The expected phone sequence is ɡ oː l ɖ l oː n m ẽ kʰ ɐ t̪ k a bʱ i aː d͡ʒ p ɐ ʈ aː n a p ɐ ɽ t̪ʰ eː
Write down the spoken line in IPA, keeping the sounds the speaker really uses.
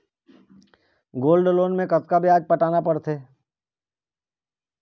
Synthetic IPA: ɡ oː l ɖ l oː n m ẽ k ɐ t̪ k a bʱ i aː d͡ʒ p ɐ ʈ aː n a p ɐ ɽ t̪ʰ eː